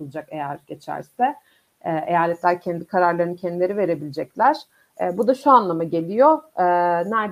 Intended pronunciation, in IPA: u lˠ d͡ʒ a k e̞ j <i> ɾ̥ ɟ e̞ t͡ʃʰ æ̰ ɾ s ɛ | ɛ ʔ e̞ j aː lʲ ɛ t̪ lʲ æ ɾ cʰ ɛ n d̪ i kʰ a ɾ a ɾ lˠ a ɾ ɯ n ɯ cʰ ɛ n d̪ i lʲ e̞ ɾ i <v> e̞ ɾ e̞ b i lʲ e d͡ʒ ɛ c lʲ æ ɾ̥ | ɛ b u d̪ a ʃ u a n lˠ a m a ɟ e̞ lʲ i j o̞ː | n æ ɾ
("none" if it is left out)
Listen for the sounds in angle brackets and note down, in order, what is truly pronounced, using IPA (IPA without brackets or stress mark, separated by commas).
æ, v